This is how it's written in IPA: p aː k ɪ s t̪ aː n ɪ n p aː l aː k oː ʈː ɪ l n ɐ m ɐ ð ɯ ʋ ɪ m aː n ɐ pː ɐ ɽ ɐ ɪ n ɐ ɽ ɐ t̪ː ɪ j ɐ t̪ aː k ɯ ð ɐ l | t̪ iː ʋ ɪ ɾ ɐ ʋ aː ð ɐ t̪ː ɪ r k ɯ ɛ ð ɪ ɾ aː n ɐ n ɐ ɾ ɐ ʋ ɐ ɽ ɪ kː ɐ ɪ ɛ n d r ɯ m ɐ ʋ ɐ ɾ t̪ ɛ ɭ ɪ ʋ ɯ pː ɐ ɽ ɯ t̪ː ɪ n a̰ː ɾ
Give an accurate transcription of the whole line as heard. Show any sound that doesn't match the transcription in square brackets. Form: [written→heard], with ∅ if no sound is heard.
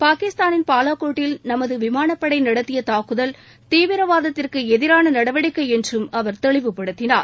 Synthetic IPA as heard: p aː k ɪ s t̪ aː n ɪ n p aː l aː k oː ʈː ɪ l n ɐ m ɐ ð ɯ ʋ ɪ m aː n ɐ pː ɐ ɽ ɐ ɪ n ɐ ɽ ɐ t̪ː ɪ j ɐ t̪ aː k ɯ ð ɐ l | t̪ iː ʋ ɪ ɾ ɐ ʋ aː ð ɐ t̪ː ɪ r k ɯ ɛ ð ɪ ɾ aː n ɐ n ɐ [ɾ→ɽ] ɐ ʋ ɐ ɽ ɪ kː ɐ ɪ ɛ n d r ɯ m ɐ ʋ ɐ ɾ t̪ ɛ ɭ ɪ ʋ ɯ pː ɐ ɽ ɯ t̪ː ɪ n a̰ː ɾ